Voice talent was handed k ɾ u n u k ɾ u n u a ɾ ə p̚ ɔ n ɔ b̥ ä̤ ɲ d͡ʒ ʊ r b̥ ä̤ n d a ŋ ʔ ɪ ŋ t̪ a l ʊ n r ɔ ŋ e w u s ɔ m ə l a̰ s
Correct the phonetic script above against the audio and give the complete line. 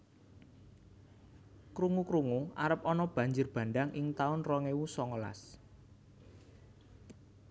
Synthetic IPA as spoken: k ɾ u ŋ u k ɾ u ŋ u a ɾ ə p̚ ɔ n ɔ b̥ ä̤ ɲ d͡ʒ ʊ r b̥ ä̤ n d a ŋ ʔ ɪ ŋ t̪ a ʊ n r ɔ ŋ e w u s ɔ ŋ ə l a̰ s